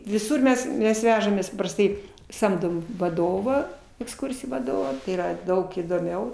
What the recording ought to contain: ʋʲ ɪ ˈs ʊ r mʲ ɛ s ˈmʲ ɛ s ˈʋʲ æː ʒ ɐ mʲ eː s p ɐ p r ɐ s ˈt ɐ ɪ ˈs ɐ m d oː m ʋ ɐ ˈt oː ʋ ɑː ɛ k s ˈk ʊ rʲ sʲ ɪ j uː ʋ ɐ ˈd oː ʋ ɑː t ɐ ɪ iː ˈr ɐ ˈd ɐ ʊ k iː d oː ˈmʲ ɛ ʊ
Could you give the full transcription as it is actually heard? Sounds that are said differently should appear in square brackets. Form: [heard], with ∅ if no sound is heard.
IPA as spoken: ʋʲ ɪ ˈs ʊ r mʲ ɛ s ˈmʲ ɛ s ˈʋʲ æː ʒ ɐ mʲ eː s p ɐ p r ɐ s ˈt ɐ ɪ ˈs ɐ m d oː m ʋ ɐ [ˈd] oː ʋ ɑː ɛ k s ˈk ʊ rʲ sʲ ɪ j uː ʋ ɐ ˈd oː ʋ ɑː t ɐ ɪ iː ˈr ɐ ˈd ɐ ʊ k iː d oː ˈmʲ ɛ ʊ